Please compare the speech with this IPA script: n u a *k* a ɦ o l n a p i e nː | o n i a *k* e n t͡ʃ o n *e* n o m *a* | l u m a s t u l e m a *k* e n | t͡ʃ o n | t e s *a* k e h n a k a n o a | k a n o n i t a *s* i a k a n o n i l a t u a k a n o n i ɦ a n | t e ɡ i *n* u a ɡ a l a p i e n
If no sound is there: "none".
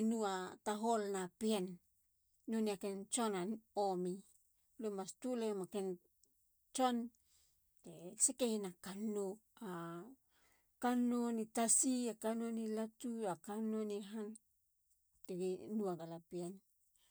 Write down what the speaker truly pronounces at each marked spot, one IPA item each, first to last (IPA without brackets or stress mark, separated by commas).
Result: t, k, a, i, k, e, s, n